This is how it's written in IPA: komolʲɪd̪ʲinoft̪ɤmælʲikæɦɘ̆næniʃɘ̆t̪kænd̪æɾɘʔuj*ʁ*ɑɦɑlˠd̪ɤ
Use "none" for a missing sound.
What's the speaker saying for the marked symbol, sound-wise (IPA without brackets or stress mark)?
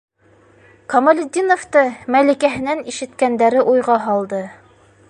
ʁ